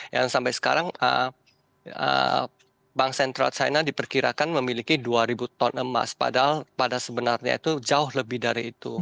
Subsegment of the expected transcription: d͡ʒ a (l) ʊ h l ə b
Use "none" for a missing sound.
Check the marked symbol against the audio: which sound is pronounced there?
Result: none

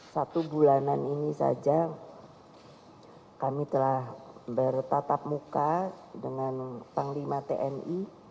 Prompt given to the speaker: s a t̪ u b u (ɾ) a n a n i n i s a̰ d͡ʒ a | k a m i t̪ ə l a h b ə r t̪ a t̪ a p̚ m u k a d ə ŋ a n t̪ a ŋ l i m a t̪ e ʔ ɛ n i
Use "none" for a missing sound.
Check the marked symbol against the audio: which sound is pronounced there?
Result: l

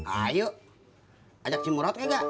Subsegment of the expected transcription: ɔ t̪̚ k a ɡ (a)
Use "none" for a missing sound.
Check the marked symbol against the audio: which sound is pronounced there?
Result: a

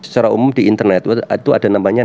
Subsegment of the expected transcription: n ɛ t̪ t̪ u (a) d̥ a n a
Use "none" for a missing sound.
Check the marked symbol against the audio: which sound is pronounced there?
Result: a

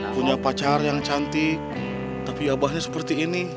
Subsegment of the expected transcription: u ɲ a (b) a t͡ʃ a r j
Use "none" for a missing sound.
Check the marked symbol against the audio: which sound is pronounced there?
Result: p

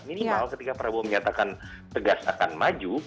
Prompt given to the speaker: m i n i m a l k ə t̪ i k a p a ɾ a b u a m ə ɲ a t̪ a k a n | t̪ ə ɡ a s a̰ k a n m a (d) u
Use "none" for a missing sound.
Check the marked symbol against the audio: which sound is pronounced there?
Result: d͡ʒ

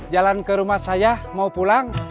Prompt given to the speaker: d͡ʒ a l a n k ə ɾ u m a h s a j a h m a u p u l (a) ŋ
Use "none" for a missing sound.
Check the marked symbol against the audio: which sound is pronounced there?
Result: a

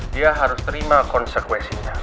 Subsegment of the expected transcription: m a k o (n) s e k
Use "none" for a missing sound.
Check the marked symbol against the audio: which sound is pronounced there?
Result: n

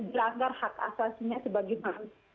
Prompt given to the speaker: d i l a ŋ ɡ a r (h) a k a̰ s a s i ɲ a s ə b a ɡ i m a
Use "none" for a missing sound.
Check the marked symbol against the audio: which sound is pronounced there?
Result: h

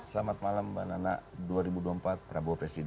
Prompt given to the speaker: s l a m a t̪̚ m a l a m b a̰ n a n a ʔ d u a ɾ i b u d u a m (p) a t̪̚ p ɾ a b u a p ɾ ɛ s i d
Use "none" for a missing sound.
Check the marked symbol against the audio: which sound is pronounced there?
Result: p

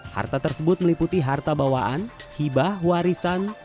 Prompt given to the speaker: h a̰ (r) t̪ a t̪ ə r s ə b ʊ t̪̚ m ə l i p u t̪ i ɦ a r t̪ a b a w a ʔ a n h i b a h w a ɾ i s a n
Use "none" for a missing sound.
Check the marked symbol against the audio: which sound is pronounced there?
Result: r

